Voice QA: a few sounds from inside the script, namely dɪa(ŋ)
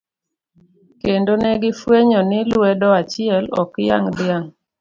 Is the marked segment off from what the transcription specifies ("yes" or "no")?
no